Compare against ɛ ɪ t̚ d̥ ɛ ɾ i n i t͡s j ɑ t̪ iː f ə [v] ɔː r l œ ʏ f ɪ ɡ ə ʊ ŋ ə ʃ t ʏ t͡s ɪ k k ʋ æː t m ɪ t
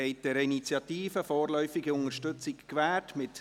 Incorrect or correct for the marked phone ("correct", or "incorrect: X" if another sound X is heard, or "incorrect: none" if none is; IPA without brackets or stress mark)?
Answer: incorrect: f